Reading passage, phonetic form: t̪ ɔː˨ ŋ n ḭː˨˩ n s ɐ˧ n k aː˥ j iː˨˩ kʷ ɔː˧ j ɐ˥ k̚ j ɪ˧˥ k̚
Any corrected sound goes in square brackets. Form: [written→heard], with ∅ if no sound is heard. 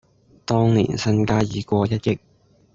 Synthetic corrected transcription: t̪ [ɔː˨→ɔː˥] ŋ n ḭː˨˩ n s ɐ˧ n k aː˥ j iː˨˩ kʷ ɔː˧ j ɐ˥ [k̚→t̚] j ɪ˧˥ k̚